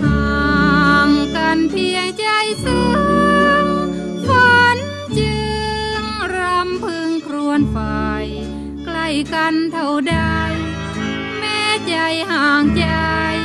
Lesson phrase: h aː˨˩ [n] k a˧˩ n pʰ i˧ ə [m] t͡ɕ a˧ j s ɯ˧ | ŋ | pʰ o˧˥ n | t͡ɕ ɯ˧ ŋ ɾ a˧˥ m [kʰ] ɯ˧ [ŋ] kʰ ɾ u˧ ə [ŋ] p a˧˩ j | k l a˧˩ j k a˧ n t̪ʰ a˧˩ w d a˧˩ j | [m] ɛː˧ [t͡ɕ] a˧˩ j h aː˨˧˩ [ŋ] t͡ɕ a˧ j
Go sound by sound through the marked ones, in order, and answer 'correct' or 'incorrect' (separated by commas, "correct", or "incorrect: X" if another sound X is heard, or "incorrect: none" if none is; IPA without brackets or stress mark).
incorrect: ŋ, incorrect: ŋ, incorrect: pʰ, correct, incorrect: n, correct, correct, correct